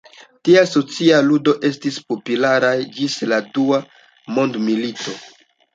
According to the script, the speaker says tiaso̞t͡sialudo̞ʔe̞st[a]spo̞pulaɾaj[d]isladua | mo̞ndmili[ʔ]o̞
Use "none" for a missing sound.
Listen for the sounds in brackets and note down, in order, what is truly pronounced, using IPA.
i, d͡ʒ, t

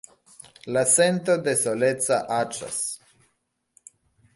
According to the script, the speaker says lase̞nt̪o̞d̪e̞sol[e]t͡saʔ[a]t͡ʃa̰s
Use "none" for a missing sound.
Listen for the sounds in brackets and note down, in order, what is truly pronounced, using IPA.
e, a

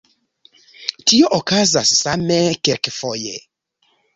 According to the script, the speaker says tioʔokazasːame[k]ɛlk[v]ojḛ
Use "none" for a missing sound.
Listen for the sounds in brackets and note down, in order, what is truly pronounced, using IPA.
k, f

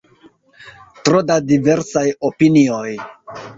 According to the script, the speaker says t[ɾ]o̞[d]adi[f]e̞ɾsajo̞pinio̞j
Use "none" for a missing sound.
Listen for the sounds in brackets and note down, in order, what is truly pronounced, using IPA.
ɾ, d, v

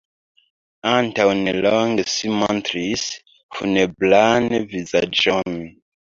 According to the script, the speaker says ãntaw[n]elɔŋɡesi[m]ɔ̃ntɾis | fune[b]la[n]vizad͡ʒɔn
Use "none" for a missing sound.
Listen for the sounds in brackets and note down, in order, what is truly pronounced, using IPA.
n, m, b, n

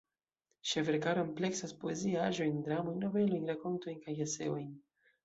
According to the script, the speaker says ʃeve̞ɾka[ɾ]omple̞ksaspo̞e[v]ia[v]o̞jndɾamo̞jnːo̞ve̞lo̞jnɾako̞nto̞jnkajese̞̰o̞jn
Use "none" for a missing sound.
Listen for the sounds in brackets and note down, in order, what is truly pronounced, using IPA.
ɾ, z, ʒ

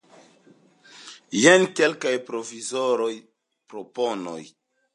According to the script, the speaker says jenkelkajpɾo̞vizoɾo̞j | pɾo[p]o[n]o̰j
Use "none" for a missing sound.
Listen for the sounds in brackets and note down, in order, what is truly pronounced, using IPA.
p, n

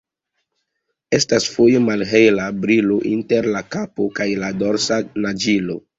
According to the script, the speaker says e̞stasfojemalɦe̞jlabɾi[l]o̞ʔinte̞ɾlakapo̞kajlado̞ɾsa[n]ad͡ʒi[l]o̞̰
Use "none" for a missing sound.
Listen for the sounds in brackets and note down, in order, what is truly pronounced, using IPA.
l, n, l

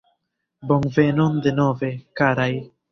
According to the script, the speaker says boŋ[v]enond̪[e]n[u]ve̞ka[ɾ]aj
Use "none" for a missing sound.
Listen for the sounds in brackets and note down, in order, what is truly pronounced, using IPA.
v, e, o, ɾ

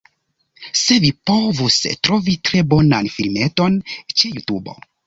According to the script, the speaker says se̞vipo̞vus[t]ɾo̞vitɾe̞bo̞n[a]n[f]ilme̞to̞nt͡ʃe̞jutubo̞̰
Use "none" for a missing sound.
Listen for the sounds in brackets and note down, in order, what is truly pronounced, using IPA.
t, a, f

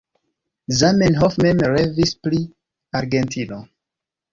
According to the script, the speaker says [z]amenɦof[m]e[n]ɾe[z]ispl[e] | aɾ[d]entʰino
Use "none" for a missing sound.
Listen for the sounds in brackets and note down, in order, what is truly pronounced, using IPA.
z, m, m, v, i, ɡ

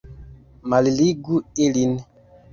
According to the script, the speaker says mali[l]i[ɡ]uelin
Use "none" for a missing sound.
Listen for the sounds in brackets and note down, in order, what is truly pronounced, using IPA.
l, ɡ

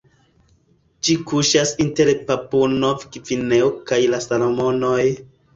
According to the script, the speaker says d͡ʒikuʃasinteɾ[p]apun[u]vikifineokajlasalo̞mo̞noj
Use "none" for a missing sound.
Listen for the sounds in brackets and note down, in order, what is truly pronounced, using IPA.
p, o

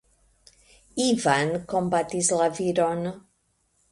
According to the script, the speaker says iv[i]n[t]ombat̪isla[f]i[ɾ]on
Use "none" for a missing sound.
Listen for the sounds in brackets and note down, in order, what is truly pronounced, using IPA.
a, k, v, ɾ

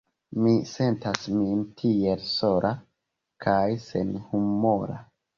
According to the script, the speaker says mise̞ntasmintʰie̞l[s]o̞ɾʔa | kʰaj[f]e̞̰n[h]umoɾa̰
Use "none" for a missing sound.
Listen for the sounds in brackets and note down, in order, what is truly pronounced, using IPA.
s, s, h

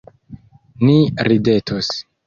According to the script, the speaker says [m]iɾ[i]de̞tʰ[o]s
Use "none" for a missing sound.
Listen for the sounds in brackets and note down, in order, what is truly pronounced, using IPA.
n, i, o

